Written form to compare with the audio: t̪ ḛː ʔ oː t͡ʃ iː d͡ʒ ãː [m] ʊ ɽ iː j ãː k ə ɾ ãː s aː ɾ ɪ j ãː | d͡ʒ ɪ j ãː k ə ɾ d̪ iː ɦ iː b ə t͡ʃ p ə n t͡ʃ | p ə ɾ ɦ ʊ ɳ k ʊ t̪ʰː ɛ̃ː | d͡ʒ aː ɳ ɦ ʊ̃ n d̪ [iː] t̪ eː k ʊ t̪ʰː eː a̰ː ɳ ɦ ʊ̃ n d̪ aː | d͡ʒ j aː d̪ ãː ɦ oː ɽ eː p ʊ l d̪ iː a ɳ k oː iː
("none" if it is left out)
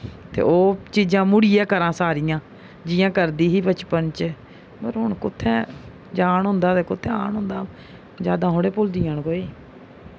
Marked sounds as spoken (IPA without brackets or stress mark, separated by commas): m, aː